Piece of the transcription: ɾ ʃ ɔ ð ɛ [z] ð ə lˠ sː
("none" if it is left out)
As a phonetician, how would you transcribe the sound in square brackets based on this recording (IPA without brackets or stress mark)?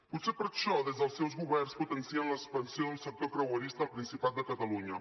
z